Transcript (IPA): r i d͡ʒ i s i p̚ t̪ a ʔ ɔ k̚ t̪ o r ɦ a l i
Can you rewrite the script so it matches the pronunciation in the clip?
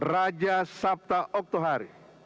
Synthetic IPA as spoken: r a d͡ʒ a s a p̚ t̪ a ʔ ɔ k̚ t̪ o ɦ a ɾ i